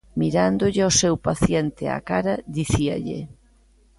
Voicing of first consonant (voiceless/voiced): voiced